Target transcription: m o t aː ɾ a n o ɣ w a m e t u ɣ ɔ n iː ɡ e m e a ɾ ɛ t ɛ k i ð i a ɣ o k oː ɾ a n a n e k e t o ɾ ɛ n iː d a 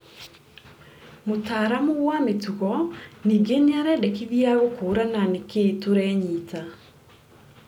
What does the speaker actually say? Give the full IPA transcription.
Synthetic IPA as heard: m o t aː ɾ a m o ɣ w a m e t u ɣ ɔ n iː ɡ e n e a ɾ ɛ d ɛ k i ð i a ɣ o k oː ɾ a n a n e k e t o ɾ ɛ ɲ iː t a